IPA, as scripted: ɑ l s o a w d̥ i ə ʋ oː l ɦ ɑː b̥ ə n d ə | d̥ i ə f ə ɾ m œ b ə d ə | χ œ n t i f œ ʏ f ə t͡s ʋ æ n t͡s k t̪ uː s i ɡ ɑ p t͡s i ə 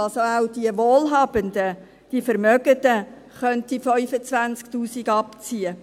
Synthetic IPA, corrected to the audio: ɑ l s o a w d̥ i ə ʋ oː l ɦ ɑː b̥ ə n d ə | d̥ i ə f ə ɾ m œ ɡ ə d ə | χ œ n t i f œ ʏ f ə t͡s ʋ æ n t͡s k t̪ uː s i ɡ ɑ p t͡s i ə